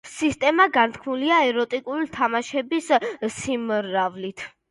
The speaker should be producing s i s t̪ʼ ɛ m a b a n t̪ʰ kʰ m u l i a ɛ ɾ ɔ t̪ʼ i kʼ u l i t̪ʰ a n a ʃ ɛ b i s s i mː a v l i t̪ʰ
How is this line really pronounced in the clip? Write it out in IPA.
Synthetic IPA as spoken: s i s t̪ʼ ɛ m a ɡ a n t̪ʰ kʰ m u l i a ɛ ɾ ɔ t̪ʼ i kʼ u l i t̪ʰ a m a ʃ ɛ b i s s i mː a v l i t̪ʰ